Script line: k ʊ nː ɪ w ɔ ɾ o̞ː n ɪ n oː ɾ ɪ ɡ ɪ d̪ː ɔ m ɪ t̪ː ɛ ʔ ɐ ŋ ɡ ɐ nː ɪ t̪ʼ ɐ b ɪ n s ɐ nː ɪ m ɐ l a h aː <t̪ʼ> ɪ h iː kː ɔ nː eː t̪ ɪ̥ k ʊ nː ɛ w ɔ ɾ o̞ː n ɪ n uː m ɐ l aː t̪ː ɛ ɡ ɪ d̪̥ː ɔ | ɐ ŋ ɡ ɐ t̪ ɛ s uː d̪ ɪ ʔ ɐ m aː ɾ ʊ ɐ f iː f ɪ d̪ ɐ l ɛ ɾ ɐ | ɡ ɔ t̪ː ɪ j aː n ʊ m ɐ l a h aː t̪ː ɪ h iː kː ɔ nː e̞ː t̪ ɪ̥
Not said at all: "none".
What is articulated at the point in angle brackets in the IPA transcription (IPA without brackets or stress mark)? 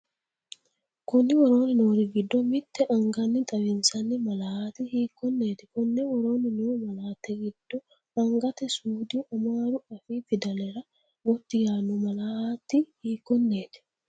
t̪